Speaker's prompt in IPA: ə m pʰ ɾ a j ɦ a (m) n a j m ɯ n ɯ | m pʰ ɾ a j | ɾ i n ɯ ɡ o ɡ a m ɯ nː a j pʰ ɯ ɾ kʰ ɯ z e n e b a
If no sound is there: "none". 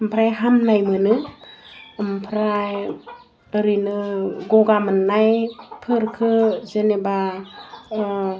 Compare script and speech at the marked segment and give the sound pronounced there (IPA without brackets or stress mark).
m